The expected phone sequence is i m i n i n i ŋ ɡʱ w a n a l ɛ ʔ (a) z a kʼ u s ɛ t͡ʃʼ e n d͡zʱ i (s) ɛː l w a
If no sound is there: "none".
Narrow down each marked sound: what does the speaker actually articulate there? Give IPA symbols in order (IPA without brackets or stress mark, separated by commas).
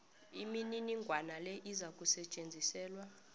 i, s